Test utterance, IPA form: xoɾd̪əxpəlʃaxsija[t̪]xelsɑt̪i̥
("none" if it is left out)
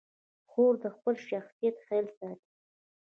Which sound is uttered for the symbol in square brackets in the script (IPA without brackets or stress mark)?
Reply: t̪